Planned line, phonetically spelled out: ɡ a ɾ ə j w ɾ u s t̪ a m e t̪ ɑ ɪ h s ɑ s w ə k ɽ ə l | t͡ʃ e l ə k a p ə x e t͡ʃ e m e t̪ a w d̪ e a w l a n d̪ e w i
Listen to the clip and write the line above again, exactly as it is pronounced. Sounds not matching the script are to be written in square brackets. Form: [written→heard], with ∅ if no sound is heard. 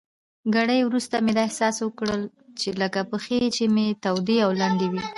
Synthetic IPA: ɡ a [ɾ→ɽ] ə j w ɾ u s t̪ a m e [t̪→d̪] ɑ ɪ h s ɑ s w ə k ɽ ə l | t͡ʃ e l ə k a p ə x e t͡ʃ e m e t̪ a w d̪ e a w l a n d̪ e w i